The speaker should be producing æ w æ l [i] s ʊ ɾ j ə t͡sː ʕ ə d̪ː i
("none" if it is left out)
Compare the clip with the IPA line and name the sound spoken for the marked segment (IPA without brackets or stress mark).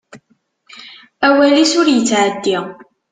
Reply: i